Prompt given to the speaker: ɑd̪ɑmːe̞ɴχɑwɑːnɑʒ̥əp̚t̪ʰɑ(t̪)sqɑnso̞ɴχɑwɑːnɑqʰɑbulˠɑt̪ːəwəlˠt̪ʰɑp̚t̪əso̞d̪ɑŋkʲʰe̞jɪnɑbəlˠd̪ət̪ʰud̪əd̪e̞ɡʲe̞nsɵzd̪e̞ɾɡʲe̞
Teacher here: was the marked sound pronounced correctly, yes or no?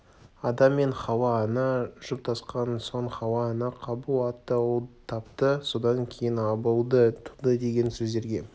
no